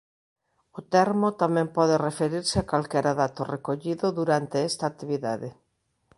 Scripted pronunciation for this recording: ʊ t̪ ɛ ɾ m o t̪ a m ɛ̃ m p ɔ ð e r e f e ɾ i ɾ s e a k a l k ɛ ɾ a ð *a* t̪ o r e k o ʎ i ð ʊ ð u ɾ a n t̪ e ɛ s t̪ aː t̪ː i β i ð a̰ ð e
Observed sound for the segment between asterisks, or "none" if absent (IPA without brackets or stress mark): a